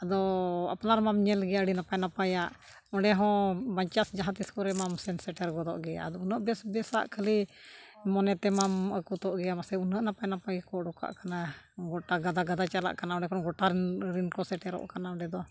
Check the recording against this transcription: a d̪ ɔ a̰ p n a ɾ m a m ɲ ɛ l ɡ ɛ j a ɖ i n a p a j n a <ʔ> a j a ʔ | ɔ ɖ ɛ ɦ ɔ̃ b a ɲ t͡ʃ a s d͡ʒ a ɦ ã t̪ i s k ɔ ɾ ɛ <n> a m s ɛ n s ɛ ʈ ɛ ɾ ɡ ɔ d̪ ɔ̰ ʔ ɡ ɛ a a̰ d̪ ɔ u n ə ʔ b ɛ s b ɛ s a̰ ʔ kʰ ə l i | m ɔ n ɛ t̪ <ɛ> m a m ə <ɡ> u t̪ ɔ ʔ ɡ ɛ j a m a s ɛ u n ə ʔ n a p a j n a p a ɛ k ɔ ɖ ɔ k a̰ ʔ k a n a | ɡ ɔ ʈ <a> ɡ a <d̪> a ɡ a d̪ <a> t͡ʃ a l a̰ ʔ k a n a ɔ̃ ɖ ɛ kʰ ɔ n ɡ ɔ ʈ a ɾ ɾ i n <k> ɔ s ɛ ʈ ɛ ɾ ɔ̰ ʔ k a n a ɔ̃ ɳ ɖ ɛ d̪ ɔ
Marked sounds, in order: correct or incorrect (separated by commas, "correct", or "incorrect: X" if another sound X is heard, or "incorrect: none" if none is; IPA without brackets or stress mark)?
incorrect: p, incorrect: m, correct, incorrect: k, correct, correct, correct, correct